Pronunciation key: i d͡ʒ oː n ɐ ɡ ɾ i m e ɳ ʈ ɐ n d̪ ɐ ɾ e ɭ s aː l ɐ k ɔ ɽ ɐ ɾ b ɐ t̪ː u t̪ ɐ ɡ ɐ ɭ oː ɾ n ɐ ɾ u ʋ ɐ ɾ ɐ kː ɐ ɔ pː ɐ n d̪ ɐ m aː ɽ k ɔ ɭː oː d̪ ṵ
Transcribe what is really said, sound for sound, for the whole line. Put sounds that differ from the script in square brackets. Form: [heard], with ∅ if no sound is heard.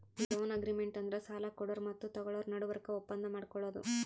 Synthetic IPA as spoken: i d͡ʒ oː n ɐ ɡ ɾ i m e ɳ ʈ ɐ n d̪ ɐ ɾ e [∅] s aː l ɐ k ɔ ɽ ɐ ɾ [m] ɐ t̪ː u t̪ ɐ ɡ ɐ ɭ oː ɾ n ɐ [ɽ] u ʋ ɐ ɾ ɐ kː ɐ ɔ pː ɐ n d̪ ɐ m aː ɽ k ɔ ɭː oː d̪ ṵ